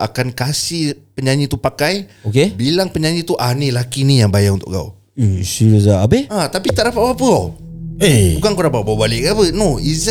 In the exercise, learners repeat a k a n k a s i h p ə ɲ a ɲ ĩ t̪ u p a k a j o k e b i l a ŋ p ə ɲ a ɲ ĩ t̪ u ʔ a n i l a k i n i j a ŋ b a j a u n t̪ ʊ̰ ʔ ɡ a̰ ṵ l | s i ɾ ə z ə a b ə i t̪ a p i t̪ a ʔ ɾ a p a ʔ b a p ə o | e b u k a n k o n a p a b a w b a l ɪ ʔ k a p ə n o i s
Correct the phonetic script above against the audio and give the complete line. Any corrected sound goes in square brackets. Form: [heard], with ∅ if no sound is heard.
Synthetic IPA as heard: a k a n k a s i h p ə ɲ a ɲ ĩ t̪ u p a k a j o k e b i l a ŋ p ə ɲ a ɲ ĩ t̪ u ʔ a n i l a k i n i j a ŋ b a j a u n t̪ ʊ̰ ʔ ɡ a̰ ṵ [∅] | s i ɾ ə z [a] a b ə [a] t̪ a p i t̪ a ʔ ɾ a p a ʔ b a p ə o | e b u k a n k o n a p a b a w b a l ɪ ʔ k a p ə n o i [z]